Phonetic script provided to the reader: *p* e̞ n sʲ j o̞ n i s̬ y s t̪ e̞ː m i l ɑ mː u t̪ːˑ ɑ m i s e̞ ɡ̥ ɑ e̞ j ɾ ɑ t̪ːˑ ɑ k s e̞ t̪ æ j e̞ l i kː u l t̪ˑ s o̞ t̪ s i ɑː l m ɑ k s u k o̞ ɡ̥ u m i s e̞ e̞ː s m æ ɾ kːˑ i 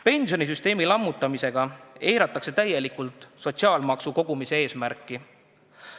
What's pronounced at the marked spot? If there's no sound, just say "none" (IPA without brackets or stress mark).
p